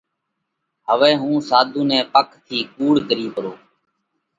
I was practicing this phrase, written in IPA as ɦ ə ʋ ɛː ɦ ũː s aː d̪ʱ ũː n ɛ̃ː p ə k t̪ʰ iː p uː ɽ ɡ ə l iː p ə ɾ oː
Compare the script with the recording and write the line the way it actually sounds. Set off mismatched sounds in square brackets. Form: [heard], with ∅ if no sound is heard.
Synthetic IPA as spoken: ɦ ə ʋ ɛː ɦ ũː s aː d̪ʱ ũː n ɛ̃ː p ə k t̪ʰ iː [k] uː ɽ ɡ ə [ɾ] iː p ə ɾ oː